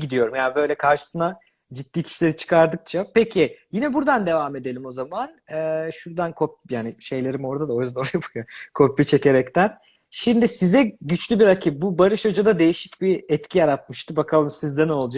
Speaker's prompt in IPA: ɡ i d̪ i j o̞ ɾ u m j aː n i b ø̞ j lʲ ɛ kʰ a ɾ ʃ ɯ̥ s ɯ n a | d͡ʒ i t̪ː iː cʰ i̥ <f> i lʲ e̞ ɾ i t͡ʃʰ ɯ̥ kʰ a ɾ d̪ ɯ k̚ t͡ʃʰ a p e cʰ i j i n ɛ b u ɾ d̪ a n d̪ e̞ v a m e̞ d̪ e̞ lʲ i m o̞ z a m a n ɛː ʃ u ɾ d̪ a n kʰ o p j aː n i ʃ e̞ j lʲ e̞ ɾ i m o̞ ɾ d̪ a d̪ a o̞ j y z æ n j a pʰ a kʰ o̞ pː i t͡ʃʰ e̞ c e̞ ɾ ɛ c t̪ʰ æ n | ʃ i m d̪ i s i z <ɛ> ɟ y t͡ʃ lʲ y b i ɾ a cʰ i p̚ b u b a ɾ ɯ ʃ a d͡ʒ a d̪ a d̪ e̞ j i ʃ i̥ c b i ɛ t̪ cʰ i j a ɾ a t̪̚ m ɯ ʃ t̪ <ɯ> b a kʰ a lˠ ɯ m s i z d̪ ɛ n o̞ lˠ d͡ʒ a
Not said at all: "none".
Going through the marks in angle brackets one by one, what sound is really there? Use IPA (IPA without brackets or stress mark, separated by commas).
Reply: ʃ, ɛ, ɯ